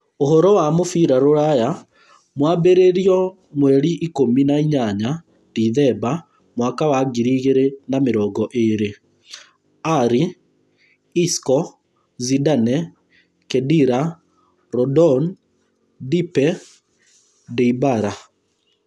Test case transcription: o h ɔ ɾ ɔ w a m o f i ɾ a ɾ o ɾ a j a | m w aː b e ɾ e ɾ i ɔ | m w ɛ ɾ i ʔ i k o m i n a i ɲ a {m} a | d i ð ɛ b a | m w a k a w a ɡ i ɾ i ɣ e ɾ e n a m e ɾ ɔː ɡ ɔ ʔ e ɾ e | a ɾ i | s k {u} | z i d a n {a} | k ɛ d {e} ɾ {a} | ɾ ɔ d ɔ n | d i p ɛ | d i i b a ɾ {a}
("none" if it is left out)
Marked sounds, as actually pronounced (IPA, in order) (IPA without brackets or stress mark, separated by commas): ɲ, ɔ, ɛ, i, a, a